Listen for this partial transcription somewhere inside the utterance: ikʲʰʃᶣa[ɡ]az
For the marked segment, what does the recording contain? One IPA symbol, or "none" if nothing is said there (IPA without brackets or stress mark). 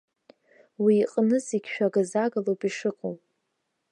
ɡ